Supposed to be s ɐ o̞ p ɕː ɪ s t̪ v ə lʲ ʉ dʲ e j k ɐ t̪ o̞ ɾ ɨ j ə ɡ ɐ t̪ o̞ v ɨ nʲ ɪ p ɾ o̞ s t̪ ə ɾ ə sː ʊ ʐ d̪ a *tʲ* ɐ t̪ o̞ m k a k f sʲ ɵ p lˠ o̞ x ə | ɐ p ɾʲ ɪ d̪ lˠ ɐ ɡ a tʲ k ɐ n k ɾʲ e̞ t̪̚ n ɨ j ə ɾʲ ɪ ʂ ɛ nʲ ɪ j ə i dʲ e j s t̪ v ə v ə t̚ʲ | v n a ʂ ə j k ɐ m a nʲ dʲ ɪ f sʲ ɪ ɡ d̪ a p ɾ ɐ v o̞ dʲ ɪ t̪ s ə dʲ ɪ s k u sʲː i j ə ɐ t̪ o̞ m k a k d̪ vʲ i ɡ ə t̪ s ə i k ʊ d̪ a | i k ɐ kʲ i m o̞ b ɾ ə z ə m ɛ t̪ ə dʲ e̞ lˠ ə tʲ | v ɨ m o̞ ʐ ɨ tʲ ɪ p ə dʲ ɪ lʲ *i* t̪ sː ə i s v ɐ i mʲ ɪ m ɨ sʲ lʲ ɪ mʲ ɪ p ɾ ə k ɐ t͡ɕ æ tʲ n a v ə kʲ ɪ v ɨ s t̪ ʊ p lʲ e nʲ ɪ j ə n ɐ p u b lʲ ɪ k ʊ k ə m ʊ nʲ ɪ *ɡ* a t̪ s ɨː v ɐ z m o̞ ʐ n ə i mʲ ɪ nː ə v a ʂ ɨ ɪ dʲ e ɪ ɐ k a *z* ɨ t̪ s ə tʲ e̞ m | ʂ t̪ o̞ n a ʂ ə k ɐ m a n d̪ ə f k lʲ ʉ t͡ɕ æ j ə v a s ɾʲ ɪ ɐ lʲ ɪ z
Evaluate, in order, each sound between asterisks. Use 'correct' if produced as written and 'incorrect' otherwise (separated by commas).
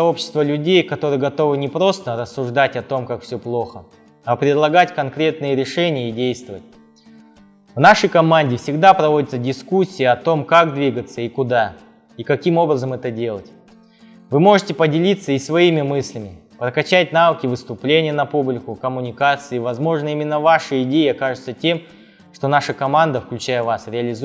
correct, correct, incorrect, incorrect